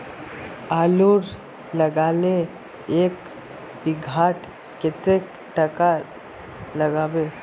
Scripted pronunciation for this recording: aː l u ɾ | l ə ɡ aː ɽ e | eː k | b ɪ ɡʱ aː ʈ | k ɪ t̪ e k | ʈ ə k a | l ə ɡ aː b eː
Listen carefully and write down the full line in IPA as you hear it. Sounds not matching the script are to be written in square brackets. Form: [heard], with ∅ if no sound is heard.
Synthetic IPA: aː l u ɾ | l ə ɡ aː [l] e | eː k | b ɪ ɡʱ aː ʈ | k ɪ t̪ e k | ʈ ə k a | l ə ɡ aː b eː